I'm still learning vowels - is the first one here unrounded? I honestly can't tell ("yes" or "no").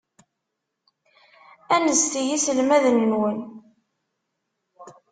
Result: yes